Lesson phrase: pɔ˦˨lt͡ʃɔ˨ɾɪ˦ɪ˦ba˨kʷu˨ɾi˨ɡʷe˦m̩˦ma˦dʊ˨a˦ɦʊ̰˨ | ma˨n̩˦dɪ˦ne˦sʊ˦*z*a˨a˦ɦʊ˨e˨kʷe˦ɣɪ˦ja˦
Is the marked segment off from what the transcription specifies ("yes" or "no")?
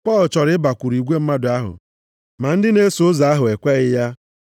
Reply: no